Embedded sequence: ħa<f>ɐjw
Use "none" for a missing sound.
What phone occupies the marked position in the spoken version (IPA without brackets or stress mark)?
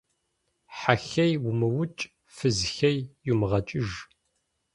x